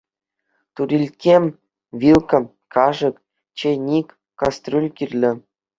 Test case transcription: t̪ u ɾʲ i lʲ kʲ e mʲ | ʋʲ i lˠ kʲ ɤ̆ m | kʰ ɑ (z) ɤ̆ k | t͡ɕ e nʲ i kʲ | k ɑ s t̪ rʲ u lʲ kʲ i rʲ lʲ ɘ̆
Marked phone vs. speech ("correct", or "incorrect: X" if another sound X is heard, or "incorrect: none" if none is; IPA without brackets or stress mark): incorrect: ʐ